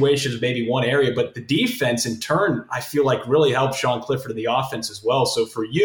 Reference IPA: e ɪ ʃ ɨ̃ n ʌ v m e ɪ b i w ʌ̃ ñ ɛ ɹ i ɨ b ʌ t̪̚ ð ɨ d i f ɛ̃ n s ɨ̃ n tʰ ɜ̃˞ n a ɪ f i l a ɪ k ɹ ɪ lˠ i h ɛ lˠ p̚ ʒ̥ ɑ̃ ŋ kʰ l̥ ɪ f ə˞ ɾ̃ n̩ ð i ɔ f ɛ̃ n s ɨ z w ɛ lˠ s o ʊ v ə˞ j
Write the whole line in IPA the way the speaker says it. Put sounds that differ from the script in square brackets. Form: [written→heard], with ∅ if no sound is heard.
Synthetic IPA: e ɪ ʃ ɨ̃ n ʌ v m e ɪ b i w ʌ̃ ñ ɛ ɹ i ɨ b ʌ t̪̚ ð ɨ d i f ɛ̃ n s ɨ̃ n tʰ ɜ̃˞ n a ɪ f i l a ɪ k ɹ ɪ lˠ i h ɛ lˠ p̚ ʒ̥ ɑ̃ [ŋ→n] kʰ l̥ ɪ f ə˞ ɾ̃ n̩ ð i ɔ f ɛ̃ n s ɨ z w ɛ lˠ s o ʊ [v→f] ə˞ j